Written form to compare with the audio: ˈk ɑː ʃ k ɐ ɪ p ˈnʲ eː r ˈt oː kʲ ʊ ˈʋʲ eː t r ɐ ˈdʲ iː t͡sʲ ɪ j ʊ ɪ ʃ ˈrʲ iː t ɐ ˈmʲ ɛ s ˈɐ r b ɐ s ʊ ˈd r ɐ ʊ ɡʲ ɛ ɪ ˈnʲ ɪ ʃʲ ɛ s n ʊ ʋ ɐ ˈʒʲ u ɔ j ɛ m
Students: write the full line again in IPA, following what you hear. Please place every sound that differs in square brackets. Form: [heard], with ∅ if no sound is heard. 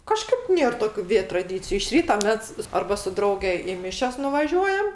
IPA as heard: ˈk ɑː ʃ k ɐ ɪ p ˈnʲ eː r ˈt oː kʲ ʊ ˈʋʲ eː t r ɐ ˈdʲ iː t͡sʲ ɪ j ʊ ɪ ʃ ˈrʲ iː t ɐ ˈmʲ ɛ s ˈɐ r b ɐ s ʊ ˈd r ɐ ʊ ɡʲ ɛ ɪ [ˈmʲ] ɪ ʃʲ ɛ s n ʊ ʋ ɐ ˈʒʲ u ɔ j ɛ m

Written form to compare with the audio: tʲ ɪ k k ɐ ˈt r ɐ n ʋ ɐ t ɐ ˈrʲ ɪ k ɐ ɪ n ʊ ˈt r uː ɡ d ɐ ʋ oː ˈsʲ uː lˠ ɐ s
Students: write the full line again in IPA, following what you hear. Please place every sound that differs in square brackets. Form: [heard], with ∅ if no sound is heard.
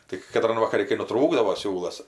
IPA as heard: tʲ ɪ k k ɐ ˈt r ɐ n ʋ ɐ [k] ɐ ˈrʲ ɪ k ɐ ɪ n ʊ ˈt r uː ɡ d ɐ ʋ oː ˈsʲ uː lˠ ɐ s

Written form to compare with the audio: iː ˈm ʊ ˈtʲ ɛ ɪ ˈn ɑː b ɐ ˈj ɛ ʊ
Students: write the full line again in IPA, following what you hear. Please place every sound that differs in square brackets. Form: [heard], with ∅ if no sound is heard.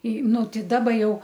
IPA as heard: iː [ˈn] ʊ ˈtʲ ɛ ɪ [ˈd] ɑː b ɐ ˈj ɛ ʊ

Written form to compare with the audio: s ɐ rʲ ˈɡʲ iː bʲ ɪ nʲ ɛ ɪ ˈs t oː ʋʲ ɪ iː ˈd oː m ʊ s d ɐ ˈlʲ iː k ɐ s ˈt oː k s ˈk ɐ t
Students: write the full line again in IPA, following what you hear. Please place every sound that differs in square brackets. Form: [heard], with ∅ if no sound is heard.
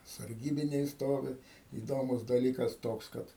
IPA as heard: s ɐ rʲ ˈɡʲ iː bʲ ɪ nʲ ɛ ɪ ˈs t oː ʋʲ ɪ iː ˈd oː m ʊ s d ɐ ˈlʲ iː k ɐ s ˈt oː k s ˈk ɐ t

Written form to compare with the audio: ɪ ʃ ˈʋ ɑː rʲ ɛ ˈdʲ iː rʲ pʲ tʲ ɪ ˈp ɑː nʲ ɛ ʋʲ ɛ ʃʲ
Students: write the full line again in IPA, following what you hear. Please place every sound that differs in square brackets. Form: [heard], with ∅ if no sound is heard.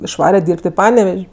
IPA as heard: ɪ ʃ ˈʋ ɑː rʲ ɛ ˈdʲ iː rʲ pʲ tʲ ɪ ˈp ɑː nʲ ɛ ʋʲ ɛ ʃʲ

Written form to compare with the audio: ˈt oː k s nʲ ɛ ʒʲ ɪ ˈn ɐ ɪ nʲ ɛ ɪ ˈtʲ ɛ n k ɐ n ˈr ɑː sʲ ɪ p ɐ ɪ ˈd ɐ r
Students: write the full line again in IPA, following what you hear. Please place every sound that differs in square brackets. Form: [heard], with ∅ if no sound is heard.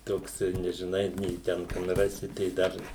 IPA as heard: ˈt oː k s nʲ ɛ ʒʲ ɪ ˈn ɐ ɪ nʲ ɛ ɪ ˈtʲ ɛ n k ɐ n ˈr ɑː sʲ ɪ [t] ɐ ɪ ˈd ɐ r

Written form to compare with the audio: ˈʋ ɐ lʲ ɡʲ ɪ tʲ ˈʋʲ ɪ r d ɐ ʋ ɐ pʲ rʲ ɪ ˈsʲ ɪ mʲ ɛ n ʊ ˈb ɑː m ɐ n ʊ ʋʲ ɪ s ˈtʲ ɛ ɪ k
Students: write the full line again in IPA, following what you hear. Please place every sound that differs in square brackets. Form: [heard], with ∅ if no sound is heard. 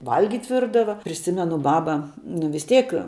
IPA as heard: ˈʋ ɐ lʲ ɡʲ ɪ tʲ ˈʋʲ ɪ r d ɐ ʋ ɐ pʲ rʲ ɪ ˈsʲ ɪ mʲ ɛ n ʊ ˈb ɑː [b] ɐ n ʊ ʋʲ ɪ s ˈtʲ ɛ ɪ k

